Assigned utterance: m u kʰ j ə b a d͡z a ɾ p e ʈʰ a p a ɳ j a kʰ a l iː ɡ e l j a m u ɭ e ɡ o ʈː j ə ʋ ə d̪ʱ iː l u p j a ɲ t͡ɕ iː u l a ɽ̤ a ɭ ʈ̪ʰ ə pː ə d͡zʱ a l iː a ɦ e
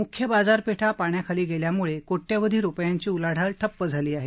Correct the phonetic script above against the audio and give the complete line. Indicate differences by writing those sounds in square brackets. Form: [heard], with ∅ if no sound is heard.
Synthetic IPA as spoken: m u kʰ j ə b a d͡z a ɾ p e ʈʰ a p a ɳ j a kʰ a l iː ɡ e l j a m u ɭ e [k] o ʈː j [a] ʋ ə d̪ʱ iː [ɾ] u p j a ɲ t͡ɕ iː u l a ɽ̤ a [l] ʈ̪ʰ ə pː ə d͡zʱ a l iː a ɦ e